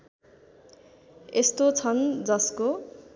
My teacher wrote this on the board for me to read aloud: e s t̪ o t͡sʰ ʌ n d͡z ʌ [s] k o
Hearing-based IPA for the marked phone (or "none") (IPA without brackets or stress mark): s